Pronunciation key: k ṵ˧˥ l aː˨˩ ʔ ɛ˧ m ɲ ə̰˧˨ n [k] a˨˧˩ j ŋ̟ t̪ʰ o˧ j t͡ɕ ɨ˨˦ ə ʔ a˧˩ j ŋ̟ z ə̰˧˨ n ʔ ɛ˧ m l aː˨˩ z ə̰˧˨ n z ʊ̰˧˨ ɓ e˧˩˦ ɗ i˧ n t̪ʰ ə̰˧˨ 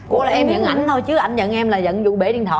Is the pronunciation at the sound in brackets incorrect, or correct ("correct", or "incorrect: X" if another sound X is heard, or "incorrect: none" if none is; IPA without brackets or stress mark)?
incorrect: ʔ